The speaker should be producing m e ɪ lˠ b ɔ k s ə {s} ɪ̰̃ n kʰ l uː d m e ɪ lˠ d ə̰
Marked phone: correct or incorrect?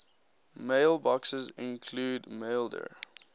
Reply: incorrect